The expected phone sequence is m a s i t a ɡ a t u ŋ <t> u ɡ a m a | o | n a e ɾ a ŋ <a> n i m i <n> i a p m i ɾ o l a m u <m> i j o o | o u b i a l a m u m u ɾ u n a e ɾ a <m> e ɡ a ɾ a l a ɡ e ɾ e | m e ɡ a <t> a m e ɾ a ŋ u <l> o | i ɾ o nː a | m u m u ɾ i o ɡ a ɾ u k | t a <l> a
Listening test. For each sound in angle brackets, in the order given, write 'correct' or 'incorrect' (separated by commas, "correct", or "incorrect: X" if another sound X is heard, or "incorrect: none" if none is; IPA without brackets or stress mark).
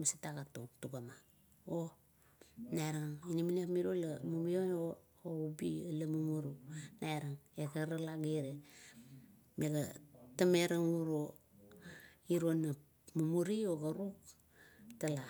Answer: correct, incorrect: i, correct, correct, incorrect: ŋ, correct, incorrect: ɾ, correct